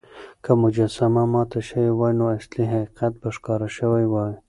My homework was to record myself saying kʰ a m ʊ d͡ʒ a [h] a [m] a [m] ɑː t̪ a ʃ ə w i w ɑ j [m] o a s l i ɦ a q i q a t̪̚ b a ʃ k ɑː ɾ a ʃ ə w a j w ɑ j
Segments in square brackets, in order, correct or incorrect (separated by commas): incorrect, correct, correct, incorrect